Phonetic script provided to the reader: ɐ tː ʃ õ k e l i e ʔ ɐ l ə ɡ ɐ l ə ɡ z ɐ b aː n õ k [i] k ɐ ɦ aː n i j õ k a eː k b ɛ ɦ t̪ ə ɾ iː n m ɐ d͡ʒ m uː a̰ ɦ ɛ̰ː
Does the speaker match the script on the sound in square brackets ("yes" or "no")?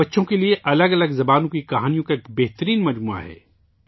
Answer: yes